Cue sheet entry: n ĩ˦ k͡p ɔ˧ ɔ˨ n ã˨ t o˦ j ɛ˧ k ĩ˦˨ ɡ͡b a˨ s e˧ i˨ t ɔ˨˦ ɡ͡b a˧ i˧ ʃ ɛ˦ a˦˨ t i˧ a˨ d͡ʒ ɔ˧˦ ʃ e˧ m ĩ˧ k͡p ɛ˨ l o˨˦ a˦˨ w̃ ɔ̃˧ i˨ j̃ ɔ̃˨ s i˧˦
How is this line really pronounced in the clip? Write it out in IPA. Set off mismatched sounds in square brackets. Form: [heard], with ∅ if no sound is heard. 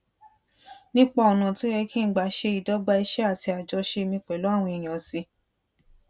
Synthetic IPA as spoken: n ĩ˦ k͡p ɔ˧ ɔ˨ n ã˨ t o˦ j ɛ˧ k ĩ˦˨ ɡ͡b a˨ [ʃ] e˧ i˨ [d] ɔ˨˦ ɡ͡b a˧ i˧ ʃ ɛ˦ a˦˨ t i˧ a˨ d͡ʒ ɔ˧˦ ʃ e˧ m ĩ˧ k͡p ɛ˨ l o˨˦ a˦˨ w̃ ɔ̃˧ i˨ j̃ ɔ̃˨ s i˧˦